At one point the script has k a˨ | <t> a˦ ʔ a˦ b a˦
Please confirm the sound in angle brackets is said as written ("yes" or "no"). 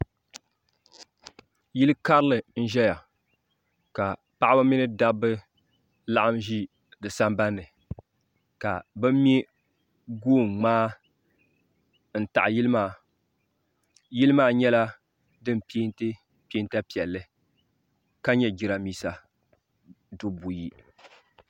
no